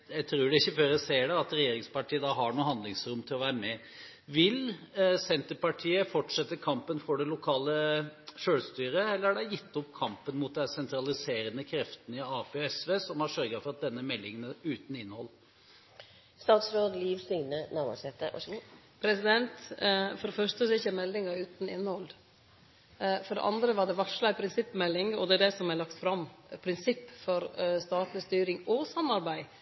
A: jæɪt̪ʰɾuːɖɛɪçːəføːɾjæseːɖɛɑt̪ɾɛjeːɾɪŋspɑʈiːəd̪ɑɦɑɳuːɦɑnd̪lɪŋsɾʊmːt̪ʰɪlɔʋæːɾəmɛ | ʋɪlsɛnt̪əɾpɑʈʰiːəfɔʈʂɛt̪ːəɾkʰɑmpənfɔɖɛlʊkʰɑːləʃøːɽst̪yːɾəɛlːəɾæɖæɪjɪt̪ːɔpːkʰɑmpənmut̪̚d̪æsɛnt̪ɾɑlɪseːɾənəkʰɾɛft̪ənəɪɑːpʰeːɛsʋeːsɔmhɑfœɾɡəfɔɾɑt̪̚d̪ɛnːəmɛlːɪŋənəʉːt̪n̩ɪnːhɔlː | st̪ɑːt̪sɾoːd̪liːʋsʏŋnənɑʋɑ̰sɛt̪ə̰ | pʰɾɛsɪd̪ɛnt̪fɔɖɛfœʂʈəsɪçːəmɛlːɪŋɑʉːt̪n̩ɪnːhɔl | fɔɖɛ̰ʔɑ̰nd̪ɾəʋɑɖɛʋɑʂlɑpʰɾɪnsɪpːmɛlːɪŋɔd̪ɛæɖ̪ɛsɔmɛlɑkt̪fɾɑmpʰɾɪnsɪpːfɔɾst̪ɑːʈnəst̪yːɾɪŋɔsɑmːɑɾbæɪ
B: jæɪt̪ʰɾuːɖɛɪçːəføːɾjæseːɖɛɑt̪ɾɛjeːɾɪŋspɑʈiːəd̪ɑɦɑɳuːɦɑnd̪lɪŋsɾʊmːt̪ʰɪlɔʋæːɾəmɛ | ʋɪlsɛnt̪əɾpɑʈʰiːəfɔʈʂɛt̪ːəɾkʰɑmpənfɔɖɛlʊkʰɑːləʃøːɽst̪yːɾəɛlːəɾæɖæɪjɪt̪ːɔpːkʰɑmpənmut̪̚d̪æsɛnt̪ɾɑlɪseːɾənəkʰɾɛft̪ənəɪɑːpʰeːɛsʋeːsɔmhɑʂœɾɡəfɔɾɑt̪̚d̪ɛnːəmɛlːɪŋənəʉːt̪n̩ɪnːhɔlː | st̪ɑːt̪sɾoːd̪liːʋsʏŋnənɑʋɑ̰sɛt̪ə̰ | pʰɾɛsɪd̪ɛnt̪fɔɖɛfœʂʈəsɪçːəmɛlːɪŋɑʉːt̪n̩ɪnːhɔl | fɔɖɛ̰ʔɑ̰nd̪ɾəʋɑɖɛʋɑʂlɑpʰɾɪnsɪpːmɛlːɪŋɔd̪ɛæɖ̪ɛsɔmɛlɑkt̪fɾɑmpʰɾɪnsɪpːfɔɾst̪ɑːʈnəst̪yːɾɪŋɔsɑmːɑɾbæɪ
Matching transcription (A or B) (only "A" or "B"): B